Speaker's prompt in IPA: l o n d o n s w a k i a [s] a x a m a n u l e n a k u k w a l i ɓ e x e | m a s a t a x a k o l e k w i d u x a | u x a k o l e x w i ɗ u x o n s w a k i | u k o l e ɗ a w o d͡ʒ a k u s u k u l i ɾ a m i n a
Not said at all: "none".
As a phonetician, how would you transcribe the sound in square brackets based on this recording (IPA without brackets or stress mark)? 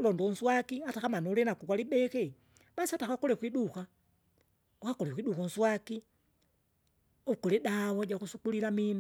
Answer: t